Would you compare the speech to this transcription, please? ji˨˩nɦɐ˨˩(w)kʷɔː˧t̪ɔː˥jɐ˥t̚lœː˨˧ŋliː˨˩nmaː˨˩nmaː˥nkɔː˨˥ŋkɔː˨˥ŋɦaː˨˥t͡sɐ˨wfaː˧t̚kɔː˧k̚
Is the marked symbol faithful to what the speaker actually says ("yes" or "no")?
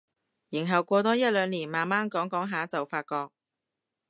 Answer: yes